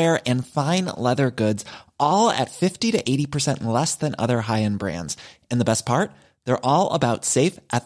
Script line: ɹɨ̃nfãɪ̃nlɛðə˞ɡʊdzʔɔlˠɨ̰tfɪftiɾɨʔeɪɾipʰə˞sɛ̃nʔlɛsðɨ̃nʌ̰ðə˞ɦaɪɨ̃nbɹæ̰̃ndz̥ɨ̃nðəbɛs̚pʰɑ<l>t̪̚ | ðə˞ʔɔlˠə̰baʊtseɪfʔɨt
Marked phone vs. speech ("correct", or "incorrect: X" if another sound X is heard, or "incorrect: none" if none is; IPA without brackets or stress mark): incorrect: ɹ